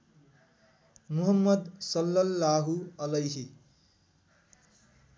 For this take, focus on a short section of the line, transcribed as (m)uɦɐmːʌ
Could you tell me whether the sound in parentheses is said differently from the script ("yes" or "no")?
no